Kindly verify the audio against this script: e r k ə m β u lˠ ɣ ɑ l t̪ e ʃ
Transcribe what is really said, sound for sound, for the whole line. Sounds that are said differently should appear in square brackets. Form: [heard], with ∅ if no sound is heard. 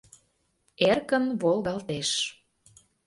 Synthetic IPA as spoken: e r k ə [n] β [o] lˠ ɣ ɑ l t̪ e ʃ